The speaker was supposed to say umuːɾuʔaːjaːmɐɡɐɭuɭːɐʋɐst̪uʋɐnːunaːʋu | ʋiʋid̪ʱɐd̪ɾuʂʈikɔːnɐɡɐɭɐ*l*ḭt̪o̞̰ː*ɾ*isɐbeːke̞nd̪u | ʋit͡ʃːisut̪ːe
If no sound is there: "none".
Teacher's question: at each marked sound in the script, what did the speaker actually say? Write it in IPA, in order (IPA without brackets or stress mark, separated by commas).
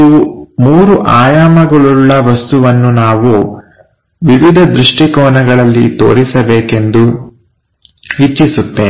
lː, ɾ